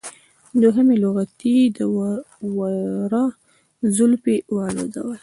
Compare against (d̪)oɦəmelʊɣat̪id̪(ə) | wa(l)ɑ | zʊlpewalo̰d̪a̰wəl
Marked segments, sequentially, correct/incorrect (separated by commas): correct, correct, incorrect